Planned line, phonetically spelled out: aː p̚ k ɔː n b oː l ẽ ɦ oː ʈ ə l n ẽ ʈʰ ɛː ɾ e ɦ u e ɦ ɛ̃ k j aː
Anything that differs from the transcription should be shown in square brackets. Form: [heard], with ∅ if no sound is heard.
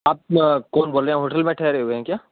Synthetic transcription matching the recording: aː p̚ k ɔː n b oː l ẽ ɦ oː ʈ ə l [m] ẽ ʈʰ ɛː ɾ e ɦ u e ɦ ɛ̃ k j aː